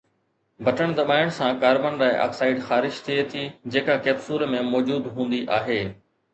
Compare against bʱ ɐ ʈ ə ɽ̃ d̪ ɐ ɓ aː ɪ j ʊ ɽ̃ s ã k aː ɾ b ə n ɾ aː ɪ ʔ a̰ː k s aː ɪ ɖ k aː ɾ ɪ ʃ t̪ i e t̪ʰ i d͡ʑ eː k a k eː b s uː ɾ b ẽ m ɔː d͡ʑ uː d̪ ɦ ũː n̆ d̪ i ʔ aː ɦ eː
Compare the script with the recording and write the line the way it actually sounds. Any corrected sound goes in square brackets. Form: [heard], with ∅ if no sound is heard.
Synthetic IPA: bʱ ɐ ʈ ə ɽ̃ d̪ ɐ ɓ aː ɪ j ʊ ɽ̃ s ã k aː ɾ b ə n ɾ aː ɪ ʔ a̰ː k s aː ɪ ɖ [x] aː ɾ ɪ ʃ [t̪ʰ] i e t̪ʰ i d͡ʑ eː k a k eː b s uː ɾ [m] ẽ m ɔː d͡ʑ uː d̪ ɦ ũː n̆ d̪ i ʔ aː ɦ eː